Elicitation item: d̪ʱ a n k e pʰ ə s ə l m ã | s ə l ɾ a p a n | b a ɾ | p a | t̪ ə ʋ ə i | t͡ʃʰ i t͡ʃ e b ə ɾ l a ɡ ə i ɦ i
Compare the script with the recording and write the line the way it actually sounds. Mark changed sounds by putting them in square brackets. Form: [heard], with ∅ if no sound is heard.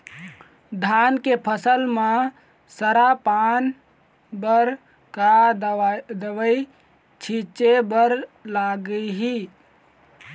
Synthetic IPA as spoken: d̪ʱ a n k e pʰ ə s ə l m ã | s ə [∅] ɾ a p a n | b [ə] ɾ | [k] a | [d̪] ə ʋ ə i | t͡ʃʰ i t͡ʃ e b ə ɾ l a ɡ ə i ɦ i

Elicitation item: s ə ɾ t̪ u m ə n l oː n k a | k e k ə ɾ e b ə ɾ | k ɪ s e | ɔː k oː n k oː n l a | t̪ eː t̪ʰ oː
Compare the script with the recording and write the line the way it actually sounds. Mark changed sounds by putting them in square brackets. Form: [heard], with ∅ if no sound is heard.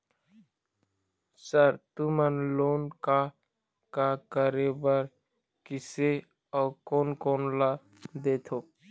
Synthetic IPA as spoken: s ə ɾ t̪ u m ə n l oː n k a | k [a] k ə ɾ e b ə ɾ | k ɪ s e | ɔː k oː n k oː n l a | [d̪] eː t̪ʰ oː

